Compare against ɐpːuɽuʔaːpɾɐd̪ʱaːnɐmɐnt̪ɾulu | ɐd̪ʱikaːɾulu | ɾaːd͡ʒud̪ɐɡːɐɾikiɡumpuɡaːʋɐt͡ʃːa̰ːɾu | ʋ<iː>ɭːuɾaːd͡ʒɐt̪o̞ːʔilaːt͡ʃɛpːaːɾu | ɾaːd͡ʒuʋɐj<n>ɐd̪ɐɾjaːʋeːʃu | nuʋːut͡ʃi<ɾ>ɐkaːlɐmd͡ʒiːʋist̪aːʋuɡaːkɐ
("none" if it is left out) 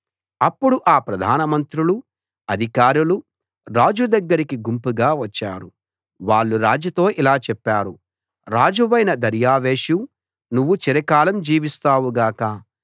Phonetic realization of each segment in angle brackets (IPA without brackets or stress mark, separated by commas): aː, n, ɾ